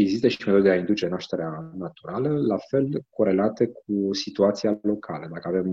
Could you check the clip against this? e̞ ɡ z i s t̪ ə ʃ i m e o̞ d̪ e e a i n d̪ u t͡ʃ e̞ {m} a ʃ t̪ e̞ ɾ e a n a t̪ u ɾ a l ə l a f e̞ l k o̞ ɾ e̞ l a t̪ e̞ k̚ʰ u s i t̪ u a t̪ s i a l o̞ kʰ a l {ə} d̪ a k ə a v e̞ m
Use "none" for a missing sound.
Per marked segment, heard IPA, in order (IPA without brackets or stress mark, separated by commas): n, ə